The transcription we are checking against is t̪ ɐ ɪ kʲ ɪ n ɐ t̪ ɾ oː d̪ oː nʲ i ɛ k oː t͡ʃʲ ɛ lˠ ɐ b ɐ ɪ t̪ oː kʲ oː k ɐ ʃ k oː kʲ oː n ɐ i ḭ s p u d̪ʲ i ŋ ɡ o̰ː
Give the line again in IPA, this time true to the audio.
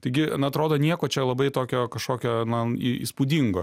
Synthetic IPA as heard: t̪ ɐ ɪ ɡʲ ɪ n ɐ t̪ ɾ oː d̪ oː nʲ i ɛ k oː t͡ʃʲ ɛ lˠ ɐ b ɐ ɪ t̪ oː kʲ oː k ɐ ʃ k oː kʲ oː n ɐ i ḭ s p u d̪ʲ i ŋ ɡ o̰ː